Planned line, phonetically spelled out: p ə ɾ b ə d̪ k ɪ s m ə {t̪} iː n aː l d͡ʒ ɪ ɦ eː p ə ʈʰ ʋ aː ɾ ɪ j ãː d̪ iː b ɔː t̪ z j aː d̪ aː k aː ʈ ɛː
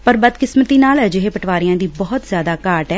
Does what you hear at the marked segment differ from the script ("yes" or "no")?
no